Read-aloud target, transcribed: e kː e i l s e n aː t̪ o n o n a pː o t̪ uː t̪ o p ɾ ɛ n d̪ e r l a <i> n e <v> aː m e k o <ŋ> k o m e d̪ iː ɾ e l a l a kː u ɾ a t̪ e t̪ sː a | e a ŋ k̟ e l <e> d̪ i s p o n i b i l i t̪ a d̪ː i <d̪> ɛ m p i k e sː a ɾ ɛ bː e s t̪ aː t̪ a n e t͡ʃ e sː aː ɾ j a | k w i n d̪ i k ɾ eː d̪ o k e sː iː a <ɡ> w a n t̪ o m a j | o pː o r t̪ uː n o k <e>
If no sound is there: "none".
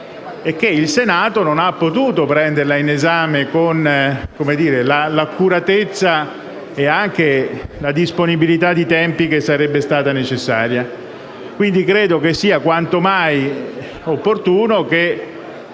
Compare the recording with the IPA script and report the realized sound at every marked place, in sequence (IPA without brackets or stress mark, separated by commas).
i, z, n, a, t̪, k, e